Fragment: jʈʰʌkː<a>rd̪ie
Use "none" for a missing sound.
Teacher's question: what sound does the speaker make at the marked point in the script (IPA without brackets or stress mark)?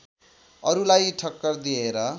ʌ